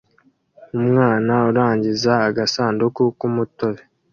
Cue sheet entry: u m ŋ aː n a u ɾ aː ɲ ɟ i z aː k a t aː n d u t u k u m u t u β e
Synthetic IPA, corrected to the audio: u m ŋ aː n a u ɾ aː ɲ ɟ i z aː ɡ a s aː n d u k u k u m u t o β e